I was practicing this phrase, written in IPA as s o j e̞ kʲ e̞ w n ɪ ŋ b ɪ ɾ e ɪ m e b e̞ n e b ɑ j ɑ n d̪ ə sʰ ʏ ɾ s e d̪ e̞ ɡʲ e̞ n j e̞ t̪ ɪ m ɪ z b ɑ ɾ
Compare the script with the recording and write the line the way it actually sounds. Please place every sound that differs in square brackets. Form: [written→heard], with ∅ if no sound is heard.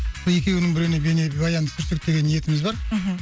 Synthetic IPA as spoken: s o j e̞ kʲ e̞ w n ɪ ŋ b ɪ ɾ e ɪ [m→n] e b e̞ n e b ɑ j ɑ n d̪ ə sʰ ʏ ɾ s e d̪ e̞ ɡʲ e̞ n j e̞ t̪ ɪ m ɪ z b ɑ ɾ